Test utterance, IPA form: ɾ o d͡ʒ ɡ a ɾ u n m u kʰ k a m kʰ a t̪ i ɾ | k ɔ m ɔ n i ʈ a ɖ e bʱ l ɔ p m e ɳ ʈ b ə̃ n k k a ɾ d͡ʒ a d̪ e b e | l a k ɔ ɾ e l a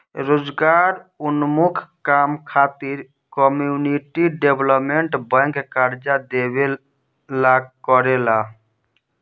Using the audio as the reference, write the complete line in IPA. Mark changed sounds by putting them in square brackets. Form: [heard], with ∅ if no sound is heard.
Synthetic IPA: ɾ o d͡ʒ ɡ a ɾ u n m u kʰ k a m kʰ a t̪ i ɾ | k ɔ m [u] n i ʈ [i] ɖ e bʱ l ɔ p m e ɳ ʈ b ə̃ [ŋ] k k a ɾ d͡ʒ a d̪ e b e | l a k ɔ ɾ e l a